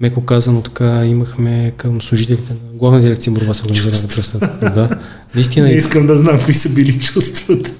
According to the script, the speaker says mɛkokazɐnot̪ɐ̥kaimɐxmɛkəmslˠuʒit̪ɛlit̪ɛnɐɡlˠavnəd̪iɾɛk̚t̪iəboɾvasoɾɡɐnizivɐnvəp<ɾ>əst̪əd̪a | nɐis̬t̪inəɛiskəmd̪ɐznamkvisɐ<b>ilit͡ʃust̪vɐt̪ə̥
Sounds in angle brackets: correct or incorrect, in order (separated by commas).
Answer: correct, correct